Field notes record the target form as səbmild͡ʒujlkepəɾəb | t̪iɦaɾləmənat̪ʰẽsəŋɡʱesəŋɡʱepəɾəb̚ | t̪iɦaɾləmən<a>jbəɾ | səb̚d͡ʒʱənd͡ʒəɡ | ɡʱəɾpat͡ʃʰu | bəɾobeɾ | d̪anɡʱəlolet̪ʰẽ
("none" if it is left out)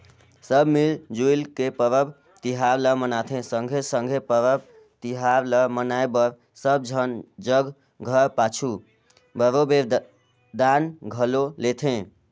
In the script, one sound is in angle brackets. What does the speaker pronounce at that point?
a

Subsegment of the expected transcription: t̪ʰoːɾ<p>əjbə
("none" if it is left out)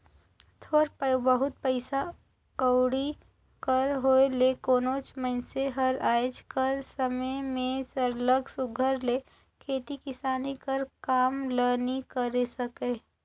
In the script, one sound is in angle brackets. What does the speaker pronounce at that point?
p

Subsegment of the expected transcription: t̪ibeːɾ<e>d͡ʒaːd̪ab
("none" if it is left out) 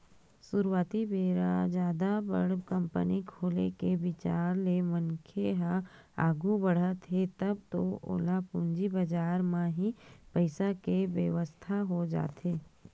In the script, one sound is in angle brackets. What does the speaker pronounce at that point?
a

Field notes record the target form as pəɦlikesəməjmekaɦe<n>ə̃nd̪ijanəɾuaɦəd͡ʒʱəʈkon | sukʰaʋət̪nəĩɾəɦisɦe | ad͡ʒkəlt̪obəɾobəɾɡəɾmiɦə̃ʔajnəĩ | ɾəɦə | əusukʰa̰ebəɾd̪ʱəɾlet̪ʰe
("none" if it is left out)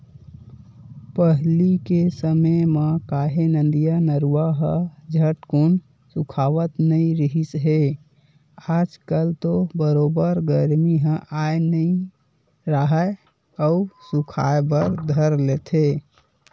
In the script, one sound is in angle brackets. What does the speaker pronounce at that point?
n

